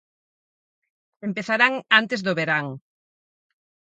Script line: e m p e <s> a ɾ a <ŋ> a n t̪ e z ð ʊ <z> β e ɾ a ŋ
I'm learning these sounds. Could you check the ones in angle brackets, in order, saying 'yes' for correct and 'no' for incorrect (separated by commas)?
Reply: no, yes, no